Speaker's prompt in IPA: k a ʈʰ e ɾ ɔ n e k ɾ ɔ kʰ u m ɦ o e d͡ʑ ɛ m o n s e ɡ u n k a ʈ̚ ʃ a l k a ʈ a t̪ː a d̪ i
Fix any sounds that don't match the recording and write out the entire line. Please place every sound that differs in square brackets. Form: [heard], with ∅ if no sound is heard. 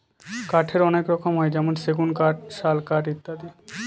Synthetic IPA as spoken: k a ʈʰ e ɾ ɔ n e k ɾ ɔ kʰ [o] m ɦ [ɔ] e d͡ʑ ɛ m o n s e ɡ u n k a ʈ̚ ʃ a l k a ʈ [i] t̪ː a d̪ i